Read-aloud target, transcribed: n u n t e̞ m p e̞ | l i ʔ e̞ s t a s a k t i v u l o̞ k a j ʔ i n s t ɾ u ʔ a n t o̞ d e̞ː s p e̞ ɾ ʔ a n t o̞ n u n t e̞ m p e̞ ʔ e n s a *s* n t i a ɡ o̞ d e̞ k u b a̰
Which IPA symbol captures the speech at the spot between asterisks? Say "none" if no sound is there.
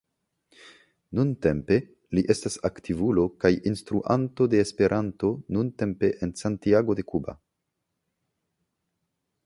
none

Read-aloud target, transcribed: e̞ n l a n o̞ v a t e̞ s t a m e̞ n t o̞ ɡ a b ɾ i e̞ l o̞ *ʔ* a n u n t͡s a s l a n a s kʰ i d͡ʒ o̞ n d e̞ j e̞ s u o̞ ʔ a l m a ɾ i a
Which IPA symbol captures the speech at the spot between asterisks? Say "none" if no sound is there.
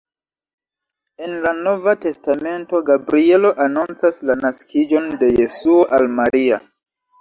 ʔ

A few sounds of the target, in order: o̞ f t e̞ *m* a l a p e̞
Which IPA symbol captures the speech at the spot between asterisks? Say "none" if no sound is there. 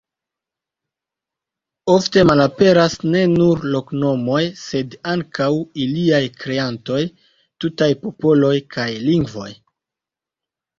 m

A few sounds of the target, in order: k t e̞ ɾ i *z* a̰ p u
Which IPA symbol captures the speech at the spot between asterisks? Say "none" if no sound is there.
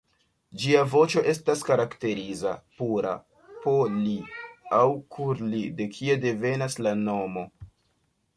z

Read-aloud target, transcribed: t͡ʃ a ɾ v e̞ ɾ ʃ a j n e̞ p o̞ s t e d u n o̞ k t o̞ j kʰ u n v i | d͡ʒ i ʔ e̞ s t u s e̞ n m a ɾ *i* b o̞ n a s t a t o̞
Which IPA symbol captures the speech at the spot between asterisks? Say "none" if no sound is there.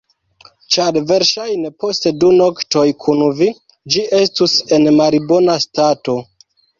i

